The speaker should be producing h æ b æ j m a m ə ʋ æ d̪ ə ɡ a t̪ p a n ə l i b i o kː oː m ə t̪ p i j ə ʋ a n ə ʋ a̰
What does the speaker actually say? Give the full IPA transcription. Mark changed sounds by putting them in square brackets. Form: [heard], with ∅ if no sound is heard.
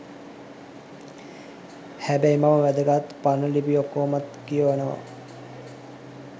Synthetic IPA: h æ b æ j m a m ə ʋ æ d̪ ə ɡ a t̪ p a n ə l i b i o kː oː m [a] t̪ [k] i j ə ʋ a n ə ʋ a̰